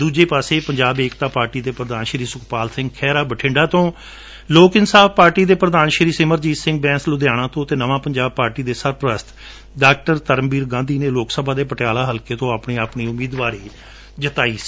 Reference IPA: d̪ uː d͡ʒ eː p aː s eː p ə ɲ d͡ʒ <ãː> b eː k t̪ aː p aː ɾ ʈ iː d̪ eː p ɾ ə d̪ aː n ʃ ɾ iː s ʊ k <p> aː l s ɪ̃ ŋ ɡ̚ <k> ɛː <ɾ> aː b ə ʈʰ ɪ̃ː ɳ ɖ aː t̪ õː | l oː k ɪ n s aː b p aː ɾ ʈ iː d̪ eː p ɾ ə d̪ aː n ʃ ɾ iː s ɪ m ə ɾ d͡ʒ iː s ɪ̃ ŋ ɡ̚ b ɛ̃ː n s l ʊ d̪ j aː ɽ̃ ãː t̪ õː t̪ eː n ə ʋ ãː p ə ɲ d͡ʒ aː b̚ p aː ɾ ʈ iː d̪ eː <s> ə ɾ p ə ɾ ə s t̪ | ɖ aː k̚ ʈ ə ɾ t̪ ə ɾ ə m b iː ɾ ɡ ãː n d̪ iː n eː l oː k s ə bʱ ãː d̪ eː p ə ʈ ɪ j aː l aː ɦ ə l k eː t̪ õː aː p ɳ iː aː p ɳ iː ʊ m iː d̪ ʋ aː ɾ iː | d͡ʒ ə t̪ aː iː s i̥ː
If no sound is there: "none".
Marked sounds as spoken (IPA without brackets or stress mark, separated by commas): aː, p, kʰ, ɾ, s